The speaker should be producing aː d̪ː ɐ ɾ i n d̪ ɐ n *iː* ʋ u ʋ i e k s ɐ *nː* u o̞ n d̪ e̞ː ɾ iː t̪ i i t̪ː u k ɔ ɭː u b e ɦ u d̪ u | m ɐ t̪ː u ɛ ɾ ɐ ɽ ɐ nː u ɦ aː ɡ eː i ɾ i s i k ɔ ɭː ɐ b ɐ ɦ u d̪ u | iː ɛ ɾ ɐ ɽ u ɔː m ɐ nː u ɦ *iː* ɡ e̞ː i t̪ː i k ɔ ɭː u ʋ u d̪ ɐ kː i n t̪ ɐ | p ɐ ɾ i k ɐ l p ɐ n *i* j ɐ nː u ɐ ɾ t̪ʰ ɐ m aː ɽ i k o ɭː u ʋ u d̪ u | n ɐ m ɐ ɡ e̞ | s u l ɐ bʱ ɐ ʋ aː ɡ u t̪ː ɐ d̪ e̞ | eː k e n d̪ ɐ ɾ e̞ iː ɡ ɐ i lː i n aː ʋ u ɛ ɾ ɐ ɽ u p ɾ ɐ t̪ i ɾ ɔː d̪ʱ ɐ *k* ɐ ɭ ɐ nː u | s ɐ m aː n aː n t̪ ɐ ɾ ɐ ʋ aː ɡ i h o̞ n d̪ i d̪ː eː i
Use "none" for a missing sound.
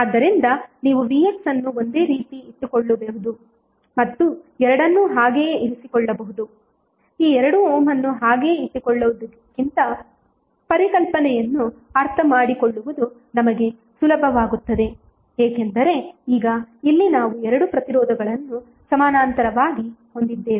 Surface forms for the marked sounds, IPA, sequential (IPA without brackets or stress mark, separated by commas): iː, nː, aː, ɛ, ɡ